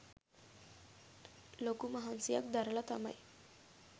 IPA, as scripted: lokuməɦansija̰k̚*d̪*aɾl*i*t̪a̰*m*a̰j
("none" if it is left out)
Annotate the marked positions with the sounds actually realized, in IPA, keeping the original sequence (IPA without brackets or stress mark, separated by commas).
d̪, a, m